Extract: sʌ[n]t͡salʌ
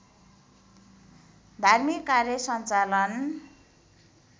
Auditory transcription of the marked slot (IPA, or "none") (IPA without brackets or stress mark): n